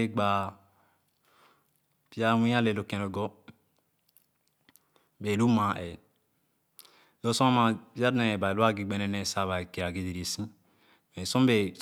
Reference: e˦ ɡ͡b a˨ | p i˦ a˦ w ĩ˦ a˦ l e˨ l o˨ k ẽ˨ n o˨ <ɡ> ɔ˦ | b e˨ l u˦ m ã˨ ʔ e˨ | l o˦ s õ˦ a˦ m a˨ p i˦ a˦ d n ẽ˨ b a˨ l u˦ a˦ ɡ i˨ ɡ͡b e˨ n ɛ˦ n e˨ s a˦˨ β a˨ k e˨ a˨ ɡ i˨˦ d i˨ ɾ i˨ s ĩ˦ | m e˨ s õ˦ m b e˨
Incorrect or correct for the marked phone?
correct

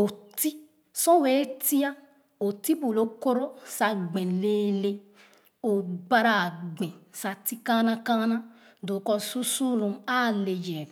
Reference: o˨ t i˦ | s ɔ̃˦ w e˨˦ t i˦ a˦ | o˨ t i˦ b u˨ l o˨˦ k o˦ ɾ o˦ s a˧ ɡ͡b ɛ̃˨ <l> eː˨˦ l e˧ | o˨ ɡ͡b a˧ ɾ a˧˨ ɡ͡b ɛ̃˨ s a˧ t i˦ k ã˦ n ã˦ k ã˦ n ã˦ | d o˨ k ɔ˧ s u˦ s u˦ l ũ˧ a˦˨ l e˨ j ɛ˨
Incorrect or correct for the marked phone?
correct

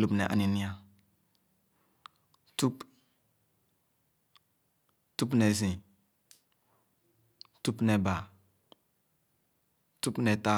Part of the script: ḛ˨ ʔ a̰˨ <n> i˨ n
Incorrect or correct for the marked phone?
correct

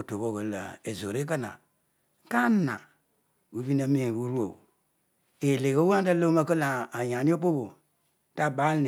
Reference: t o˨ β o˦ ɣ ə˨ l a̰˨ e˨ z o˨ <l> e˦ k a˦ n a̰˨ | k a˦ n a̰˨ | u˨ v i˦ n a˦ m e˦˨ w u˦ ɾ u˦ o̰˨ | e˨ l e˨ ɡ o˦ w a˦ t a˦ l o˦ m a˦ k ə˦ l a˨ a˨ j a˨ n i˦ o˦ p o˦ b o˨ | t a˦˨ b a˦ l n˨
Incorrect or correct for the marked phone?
incorrect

